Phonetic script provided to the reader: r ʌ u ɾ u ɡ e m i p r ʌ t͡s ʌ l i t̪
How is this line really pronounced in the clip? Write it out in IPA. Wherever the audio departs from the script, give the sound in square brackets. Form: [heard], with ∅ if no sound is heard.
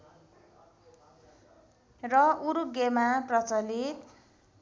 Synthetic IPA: r ʌ u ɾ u ɡ e m [a] p r ʌ t͡s ʌ l i t̪